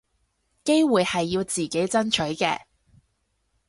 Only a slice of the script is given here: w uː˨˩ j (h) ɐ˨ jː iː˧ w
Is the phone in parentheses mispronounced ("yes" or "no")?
no